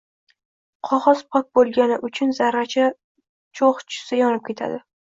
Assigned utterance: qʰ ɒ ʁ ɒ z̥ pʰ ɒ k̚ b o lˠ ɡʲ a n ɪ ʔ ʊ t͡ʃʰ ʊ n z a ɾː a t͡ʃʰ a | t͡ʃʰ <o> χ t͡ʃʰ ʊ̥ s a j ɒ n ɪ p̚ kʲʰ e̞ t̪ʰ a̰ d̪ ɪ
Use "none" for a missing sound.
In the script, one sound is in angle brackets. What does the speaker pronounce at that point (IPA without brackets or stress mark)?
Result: o